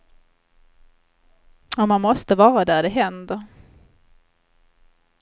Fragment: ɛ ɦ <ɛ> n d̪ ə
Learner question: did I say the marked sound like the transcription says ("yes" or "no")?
yes